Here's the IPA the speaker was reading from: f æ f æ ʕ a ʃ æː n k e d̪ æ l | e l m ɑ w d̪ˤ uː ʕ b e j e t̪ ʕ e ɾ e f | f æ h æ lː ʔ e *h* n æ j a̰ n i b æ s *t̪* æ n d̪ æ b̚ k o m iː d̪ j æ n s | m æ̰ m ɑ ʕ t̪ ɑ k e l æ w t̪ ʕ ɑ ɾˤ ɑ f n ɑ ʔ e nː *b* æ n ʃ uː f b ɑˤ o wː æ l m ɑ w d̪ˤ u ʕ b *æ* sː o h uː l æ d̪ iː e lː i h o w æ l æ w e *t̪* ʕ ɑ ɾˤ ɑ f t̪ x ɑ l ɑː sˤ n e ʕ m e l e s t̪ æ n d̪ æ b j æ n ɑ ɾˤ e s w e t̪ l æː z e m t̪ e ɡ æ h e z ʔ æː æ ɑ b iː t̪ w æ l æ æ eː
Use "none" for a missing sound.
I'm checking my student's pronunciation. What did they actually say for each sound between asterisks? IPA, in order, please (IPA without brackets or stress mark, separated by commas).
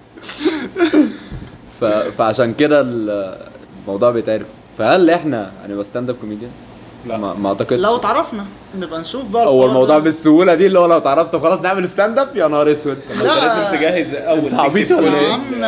ħ, t̪, b, e, t̪